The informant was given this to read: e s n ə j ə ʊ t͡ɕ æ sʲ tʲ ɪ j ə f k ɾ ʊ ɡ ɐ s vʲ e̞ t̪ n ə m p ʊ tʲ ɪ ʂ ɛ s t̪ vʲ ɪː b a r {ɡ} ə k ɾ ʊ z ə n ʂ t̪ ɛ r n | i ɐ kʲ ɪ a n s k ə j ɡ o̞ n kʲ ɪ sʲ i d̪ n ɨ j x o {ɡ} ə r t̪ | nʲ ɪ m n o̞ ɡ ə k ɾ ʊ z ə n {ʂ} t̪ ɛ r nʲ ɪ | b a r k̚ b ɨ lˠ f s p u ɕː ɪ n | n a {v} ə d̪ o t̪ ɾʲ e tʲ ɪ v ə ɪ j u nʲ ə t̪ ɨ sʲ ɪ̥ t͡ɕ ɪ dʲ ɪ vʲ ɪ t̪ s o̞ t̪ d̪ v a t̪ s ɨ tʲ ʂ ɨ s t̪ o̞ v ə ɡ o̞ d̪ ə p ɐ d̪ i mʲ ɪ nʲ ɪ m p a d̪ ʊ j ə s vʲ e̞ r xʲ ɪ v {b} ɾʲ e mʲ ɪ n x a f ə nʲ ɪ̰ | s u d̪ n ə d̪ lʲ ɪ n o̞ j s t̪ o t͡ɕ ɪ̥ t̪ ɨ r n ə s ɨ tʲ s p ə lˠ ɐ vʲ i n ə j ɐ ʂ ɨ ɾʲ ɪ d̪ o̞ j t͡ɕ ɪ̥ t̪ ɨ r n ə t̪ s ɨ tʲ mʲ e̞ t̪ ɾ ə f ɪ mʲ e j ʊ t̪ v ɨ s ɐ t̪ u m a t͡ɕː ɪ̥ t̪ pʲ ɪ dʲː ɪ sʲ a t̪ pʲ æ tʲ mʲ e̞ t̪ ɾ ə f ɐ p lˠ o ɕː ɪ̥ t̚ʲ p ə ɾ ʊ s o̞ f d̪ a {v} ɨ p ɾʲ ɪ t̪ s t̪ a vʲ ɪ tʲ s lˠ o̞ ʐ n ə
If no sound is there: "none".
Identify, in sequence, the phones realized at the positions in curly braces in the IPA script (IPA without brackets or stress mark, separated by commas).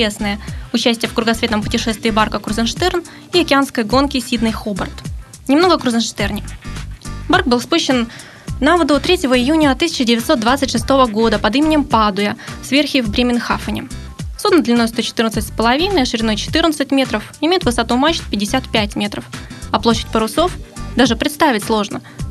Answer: k, b, ʂ, v, b, ʐ